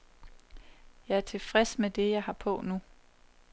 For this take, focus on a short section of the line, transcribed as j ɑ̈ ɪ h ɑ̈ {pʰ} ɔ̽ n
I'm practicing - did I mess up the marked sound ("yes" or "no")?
no